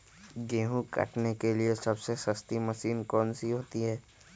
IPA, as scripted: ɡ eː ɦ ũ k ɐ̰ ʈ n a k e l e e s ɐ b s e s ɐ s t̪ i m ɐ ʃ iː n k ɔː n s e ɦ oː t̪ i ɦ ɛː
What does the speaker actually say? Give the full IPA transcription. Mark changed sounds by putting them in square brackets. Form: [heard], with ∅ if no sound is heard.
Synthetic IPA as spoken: ɡ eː ɦ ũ k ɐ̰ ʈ n [e] k e l [i] e s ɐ b s e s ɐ s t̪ i m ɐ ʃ iː n k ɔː n s [i] ɦ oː t̪ i ɦ ɛː